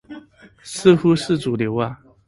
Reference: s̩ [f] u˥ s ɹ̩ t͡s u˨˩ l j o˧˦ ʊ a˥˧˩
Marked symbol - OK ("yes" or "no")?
no